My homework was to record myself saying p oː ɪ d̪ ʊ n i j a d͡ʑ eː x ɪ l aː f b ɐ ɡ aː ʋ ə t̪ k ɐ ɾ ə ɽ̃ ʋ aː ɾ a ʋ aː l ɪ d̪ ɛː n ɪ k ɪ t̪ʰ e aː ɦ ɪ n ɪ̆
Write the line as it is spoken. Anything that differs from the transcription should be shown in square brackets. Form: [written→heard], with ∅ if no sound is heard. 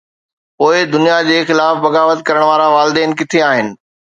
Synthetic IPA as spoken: p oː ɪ d̪ ʊ n i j a d͡ʑ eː x ɪ l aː f b ɐ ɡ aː ʋ ə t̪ k ɐ ɾ ə ɽ̃ ʋ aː ɾ a ʋ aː l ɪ d̪ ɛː n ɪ k ɪ t̪ʰ e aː ɦ ɪ n ɪ̆